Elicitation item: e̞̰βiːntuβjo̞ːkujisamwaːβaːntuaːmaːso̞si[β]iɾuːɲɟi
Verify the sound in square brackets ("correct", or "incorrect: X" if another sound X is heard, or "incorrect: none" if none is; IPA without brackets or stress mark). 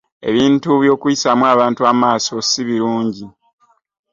correct